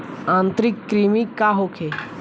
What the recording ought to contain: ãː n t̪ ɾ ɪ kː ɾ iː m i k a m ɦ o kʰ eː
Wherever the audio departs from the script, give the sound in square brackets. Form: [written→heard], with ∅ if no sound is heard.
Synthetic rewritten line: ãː n t̪ ɾ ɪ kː ɾ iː m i k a [m→∅] ɦ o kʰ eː